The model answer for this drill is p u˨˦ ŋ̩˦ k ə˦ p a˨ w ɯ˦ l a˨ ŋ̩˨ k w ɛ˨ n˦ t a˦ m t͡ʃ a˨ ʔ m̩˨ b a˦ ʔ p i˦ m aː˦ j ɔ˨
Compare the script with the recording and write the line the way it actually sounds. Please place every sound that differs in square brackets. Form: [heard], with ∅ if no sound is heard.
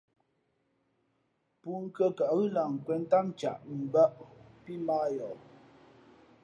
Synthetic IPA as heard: p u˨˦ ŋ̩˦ k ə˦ [k] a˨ [ɣ] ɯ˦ l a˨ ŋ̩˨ k w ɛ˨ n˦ t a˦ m t͡ʃ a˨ ʔ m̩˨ b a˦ ʔ p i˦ m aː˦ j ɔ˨